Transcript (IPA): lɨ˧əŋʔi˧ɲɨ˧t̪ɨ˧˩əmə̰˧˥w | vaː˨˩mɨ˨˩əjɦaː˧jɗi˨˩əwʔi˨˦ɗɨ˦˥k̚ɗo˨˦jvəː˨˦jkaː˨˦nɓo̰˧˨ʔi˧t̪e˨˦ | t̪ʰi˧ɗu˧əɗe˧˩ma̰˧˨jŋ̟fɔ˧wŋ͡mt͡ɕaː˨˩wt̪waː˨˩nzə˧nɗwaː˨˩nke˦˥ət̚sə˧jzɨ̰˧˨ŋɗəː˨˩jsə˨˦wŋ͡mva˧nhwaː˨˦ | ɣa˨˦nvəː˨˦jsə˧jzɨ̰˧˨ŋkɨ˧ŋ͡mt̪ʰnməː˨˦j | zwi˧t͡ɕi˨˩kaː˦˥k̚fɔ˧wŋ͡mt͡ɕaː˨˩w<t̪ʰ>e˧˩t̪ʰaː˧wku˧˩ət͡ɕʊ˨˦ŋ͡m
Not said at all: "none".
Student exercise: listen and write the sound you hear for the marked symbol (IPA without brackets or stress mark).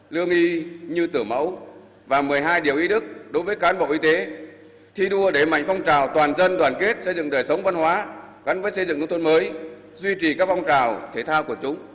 t̪ʰ